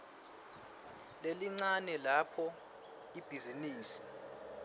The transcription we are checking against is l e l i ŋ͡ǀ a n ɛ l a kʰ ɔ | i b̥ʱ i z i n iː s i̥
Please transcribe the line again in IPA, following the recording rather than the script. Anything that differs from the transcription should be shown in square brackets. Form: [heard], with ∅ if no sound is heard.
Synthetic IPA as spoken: l e l i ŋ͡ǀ a n ɛ l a [pʰ] ɔ | i b̥ʱ i z i n iː s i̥